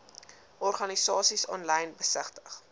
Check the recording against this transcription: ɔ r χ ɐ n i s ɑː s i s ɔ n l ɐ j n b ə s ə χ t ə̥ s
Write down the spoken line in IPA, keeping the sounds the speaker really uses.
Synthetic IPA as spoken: ɔ r χ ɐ n i s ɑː s i s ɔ n l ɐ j n b ə s ə χ t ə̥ χ